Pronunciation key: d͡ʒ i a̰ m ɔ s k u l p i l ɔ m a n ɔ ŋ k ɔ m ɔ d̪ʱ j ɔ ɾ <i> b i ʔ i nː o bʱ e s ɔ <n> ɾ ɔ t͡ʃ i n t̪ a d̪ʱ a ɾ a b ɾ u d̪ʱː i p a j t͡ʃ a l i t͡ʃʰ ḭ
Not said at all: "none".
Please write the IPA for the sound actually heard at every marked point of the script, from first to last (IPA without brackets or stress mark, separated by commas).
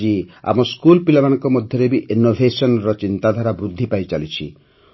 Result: e, n